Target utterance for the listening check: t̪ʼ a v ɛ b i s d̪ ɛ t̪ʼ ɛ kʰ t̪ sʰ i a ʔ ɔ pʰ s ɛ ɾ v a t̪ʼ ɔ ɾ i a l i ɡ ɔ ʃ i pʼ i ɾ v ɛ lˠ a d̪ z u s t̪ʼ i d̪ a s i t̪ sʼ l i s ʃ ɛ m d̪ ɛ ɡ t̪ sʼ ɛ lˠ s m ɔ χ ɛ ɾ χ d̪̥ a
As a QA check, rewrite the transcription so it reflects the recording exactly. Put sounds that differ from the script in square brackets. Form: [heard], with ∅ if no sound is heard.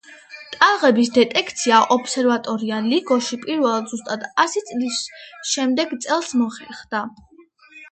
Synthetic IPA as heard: t̪ʼ a [ʁ] ɛ b i s d̪ ɛ t̪ʼ ɛ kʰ t̪ sʰ i a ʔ ɔ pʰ s ɛ ɾ v a t̪ʼ ɔ ɾ i a l i ɡ ɔ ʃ i pʼ i ɾ v ɛ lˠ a d̪ z u s t̪ʼ [a] d̪ a s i t̪ sʼ l i s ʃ ɛ m d̪ ɛ ɡ t̪ sʼ ɛ lˠ s m ɔ χ ɛ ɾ χ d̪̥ a